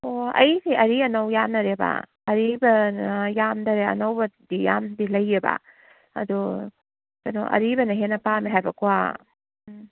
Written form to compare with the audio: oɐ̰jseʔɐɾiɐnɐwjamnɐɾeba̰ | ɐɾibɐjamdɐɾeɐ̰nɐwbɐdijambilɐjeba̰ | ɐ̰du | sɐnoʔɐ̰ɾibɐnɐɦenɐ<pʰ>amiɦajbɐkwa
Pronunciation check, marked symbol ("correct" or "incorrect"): incorrect